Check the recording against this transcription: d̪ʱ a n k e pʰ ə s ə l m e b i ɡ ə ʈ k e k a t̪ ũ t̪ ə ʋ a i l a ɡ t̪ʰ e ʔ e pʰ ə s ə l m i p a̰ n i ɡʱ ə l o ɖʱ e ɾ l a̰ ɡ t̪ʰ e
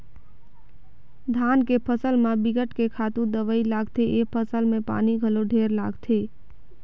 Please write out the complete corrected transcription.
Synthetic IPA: d̪ʱ a n k e pʰ ə s ə l m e b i ɡ ə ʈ k e kʰ a t̪ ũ d̪ ə ʋ ə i l a ɡ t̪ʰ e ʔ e pʰ ə s ə l m e p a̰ n i ɡʱ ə l o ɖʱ e ɾ l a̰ ɡ t̪ʰ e